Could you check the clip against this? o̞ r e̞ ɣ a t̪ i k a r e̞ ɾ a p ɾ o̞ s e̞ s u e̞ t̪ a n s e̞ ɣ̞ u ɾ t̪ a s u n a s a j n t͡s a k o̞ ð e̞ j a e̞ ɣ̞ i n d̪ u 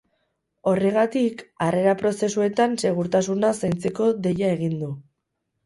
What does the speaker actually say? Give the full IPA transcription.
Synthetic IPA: o̞ r e̞ ɣ a t̪ i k a r e̞ ɾ a p ɾ o̞ s e̞ s u e̞ t̪ a n s e̞ ɣ̞ u ɾ t̪ a s u n a s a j n t͡s e k o̞ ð e̞ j a e̞ ɣ̞ i n d̪ u